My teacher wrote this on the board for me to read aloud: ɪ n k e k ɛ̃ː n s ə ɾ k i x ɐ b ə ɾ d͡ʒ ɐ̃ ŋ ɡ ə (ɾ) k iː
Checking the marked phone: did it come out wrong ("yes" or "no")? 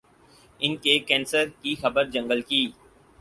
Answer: yes